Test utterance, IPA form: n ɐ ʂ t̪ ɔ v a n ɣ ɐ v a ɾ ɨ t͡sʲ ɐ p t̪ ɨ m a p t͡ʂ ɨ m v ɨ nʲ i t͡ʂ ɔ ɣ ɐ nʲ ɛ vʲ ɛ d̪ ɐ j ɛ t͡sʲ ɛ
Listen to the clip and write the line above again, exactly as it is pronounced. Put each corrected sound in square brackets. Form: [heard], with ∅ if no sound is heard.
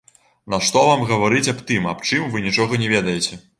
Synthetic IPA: n ɐ ʂ t̪ ɔ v a [m] ɣ ɐ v a ɾ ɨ t͡sʲ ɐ p t̪ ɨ m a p t͡ʂ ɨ m v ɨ nʲ i t͡ʂ ɔ ɣ ɐ nʲ ɛ vʲ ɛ d̪ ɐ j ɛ t͡sʲ ɛ